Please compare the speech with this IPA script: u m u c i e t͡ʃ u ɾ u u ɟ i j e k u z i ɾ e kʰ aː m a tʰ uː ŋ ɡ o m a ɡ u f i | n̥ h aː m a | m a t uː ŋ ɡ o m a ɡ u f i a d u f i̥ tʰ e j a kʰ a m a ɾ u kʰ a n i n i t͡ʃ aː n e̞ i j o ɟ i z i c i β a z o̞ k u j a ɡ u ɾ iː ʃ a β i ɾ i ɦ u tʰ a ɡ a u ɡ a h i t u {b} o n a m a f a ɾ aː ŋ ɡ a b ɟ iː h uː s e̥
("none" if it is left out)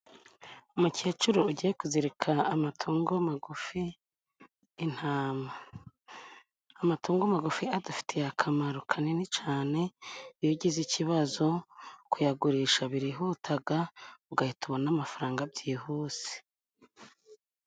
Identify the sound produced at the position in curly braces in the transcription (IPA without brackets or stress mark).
β